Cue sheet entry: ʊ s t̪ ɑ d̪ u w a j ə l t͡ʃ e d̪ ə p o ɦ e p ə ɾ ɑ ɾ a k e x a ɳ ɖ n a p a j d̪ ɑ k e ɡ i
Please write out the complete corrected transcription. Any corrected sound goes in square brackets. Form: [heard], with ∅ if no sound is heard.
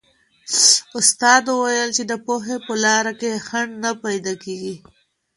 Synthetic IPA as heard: ʊ s t̪ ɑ d̪ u w a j ə l t͡ʃ e d̪ ə p o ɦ e p ə [l] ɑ ɾ a k e x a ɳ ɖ n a p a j d̪ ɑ k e ɡ i